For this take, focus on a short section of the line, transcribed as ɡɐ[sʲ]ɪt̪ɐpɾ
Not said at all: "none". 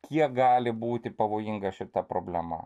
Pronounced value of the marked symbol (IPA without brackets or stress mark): ʃʲ